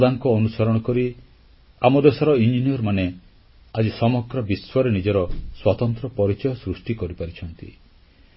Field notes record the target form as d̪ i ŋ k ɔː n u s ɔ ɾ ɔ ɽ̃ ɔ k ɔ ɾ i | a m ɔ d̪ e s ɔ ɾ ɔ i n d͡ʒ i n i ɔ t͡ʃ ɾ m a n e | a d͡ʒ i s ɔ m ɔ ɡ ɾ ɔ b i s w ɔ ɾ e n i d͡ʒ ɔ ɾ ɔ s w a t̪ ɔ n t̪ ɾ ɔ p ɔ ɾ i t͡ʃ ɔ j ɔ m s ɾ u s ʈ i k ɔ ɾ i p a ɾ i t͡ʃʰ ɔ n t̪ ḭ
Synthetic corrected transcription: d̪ a ŋ k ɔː n u s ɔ ɾ ɔ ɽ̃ ɔ k ɔ ɾ i | a m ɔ d̪ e s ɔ ɾ ɔ i n d͡ʒ i n i ɔ ɾ m a n e | a d͡ʒ i s ɔ m ɔ ɡ ɾ ɔ b i s w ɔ ɾ e n i d͡ʒ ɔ ɾ ɔ s w a t̪ ɔ n t̪ ɾ ɔ p ɔ ɾ i t͡ʃ ɔ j ɔ s ɾ u s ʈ i k ɔ ɾ i p a ɾ i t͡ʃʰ ɔ n t̪ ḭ